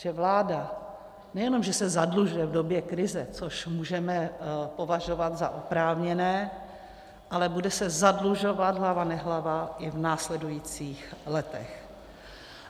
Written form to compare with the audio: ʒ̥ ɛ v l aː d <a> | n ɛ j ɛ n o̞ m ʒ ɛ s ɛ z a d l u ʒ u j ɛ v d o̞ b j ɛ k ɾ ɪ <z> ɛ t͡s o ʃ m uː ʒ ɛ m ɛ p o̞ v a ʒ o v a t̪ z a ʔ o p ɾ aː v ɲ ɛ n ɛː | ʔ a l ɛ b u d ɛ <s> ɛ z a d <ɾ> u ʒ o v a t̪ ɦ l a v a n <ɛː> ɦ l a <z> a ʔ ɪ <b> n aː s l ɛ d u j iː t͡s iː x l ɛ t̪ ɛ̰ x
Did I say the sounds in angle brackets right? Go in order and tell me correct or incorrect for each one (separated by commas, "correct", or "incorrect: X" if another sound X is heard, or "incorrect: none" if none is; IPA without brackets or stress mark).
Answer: correct, correct, correct, incorrect: l, incorrect: ɛ, incorrect: v, incorrect: v